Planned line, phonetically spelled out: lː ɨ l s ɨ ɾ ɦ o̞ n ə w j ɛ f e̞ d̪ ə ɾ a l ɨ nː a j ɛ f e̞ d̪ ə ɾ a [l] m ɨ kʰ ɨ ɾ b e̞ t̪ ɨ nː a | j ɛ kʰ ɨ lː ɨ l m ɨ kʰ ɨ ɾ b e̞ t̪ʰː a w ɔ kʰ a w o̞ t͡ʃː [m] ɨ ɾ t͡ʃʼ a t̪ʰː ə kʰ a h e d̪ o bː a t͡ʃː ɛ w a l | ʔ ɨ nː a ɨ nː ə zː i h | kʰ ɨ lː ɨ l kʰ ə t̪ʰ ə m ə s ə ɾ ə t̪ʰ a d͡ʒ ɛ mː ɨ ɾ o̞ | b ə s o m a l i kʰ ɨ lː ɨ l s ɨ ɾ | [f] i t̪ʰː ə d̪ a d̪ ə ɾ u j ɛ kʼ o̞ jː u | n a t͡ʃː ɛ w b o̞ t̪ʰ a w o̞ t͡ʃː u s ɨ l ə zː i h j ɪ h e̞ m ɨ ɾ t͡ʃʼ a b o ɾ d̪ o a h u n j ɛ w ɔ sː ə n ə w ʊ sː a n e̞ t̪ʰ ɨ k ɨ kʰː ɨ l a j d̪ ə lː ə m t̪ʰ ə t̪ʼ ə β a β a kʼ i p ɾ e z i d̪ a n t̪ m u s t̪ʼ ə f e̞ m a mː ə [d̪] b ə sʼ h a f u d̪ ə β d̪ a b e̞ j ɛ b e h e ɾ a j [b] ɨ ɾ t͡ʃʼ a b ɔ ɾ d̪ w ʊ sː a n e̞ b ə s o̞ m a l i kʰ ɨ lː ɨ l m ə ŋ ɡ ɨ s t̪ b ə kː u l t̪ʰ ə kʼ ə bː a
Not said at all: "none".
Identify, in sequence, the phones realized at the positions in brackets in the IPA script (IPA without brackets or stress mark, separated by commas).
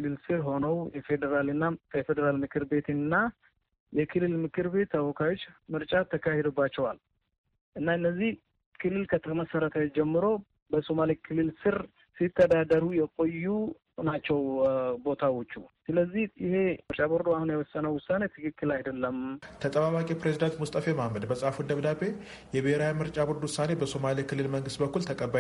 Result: l, m, s, d̪, m